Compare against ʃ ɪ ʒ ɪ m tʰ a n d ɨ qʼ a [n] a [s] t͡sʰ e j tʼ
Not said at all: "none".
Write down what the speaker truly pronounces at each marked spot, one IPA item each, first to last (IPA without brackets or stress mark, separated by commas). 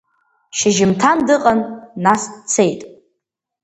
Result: nː, s